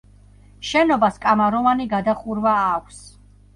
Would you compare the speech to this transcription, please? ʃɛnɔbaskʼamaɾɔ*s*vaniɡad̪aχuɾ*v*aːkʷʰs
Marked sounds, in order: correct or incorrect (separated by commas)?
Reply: incorrect, correct